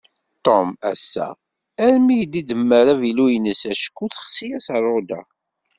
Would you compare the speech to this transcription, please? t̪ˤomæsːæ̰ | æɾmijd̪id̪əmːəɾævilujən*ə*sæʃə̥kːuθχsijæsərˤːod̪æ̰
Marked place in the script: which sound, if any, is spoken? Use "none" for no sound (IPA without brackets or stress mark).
ə